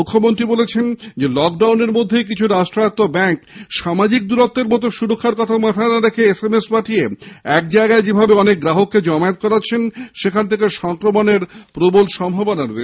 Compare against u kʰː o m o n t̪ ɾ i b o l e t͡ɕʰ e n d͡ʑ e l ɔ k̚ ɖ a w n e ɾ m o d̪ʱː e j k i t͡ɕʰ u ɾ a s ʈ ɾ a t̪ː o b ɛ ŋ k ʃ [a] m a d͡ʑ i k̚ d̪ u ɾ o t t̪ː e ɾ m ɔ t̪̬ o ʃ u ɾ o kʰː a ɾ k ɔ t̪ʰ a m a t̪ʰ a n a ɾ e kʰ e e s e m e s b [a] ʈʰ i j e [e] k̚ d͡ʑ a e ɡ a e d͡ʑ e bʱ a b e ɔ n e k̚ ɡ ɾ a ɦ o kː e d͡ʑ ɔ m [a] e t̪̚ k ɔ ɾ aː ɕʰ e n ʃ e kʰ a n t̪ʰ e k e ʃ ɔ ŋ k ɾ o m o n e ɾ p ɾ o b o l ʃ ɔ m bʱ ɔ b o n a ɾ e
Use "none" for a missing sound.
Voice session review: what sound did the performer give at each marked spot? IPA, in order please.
a, a, ɛ, a

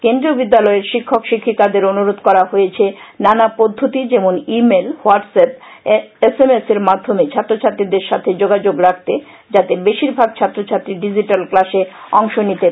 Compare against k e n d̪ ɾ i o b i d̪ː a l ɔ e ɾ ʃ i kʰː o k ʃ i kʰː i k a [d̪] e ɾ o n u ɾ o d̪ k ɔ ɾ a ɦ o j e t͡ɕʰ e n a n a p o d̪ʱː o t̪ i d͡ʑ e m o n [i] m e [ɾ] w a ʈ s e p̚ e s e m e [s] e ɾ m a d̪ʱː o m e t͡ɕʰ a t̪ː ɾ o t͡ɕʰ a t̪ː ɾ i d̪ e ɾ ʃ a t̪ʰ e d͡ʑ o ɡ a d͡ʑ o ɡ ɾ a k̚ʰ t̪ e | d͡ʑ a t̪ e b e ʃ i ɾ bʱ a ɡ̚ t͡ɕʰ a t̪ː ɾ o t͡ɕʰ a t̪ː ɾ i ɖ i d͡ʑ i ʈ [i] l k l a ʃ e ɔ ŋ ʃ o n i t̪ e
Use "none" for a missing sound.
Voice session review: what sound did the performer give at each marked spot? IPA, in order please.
d̪, i, l, s, a

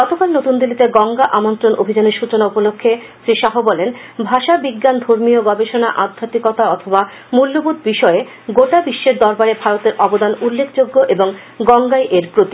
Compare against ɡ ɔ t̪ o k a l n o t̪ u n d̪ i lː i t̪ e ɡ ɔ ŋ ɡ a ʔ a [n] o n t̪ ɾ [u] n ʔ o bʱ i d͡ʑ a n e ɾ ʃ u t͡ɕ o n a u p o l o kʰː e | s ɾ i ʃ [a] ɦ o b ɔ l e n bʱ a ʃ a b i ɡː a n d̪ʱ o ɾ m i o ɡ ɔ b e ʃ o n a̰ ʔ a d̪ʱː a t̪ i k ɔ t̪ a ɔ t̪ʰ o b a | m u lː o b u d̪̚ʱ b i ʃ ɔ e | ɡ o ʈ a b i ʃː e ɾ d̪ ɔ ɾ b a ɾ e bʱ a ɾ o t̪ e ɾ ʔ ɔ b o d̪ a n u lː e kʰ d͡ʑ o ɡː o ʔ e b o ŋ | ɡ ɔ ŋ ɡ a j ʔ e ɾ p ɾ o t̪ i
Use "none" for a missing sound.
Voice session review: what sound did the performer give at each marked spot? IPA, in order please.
m, o, a

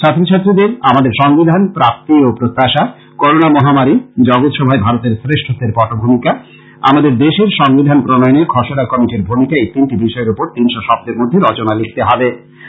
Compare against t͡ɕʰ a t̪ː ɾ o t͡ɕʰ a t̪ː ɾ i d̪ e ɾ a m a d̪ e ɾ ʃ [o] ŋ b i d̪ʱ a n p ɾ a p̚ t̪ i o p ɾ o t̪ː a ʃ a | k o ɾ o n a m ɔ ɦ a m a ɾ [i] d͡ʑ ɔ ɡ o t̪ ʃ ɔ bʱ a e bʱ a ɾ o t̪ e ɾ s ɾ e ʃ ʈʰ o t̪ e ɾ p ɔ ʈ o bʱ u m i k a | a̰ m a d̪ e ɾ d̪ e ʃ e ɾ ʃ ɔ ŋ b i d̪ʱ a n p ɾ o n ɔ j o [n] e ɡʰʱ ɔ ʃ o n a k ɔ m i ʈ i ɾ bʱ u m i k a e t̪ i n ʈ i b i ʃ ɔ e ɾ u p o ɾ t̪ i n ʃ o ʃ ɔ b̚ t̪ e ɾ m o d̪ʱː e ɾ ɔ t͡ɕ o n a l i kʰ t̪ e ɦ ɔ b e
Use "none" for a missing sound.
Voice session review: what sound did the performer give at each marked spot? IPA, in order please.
ɔ, i, n

